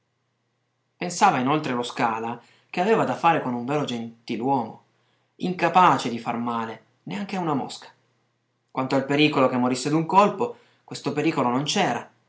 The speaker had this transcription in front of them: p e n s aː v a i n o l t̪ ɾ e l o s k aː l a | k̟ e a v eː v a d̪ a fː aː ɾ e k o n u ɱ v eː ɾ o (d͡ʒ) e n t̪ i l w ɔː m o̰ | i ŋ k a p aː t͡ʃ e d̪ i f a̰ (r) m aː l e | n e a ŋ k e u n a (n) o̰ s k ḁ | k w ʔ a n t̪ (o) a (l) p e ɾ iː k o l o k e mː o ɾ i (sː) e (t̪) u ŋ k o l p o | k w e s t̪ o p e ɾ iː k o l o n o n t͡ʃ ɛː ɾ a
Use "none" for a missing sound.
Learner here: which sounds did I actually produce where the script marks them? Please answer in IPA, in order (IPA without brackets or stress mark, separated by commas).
d͡ʒ, r, m, o, l, sː, d̪